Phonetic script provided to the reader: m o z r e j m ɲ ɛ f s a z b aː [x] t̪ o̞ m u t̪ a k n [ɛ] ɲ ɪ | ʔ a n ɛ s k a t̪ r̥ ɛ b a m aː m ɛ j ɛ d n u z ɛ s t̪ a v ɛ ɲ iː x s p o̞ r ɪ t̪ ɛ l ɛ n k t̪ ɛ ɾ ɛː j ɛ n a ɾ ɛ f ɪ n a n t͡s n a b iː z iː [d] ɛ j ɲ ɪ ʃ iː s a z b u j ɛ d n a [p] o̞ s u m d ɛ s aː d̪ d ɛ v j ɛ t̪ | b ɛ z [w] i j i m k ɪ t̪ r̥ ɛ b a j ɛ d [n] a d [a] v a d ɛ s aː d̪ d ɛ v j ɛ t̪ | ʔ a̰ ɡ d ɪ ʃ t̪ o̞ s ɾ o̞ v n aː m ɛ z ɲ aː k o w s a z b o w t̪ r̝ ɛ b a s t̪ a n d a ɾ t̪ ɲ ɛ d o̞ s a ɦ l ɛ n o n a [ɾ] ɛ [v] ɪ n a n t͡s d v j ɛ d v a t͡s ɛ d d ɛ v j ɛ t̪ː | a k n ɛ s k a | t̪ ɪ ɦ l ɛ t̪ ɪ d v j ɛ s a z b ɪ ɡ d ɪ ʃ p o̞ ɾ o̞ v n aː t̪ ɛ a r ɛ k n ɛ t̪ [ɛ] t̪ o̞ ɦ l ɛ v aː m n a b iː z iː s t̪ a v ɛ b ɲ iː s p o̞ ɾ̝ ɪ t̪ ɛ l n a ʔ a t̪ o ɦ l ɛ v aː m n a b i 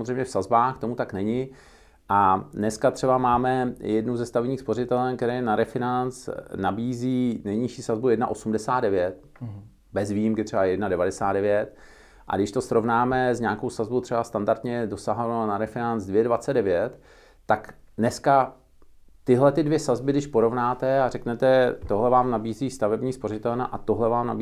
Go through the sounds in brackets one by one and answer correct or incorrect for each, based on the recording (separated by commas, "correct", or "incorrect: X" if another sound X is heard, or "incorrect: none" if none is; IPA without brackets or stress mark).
correct, correct, incorrect: n, incorrect: ʔ, incorrect: v, correct, incorrect: ɛ, correct, incorrect: f, correct